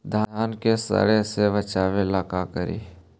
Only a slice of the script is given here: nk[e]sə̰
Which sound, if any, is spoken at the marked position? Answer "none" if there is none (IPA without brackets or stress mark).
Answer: e